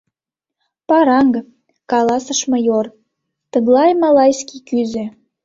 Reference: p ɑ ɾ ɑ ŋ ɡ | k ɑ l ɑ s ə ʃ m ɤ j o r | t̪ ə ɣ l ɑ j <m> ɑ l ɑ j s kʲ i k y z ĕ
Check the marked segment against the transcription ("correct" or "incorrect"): correct